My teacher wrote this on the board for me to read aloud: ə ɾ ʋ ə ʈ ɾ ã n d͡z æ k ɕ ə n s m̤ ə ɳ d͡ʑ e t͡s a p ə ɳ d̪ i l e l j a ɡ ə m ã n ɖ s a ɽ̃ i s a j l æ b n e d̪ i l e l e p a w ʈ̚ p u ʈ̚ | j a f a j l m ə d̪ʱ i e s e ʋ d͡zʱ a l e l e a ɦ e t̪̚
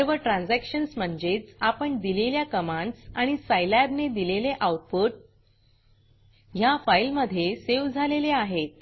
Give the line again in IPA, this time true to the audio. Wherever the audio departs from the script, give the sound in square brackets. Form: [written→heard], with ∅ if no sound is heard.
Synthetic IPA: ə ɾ ʋ ə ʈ ɾ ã n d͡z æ k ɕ ə n s m̤ ə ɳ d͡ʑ e t͡s a p ə ɳ d̪ i l e l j a [ɡ→k] ə m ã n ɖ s a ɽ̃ i s a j l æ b n e d̪ i l e l e [p→ʔ] a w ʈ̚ p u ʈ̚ | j a f a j l m ə d̪ʱ [i→j] e s e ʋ d͡zʱ a l e l e a ɦ e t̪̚